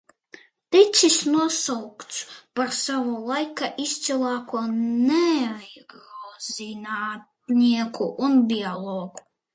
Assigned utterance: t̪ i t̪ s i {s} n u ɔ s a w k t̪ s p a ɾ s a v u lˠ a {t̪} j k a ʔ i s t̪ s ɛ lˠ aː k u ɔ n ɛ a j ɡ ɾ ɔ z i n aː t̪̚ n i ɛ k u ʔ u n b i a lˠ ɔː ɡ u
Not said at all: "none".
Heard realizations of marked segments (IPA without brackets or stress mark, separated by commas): s, none